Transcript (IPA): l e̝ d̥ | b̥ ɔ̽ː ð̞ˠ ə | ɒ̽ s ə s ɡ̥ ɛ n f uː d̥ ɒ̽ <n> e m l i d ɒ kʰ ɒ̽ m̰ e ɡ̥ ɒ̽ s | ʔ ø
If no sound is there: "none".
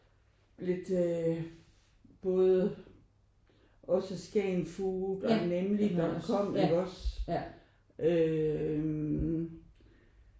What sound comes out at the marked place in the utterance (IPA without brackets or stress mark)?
n